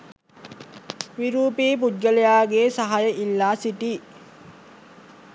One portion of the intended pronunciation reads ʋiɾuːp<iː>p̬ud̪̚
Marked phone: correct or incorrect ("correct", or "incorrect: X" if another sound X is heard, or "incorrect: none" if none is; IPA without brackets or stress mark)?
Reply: correct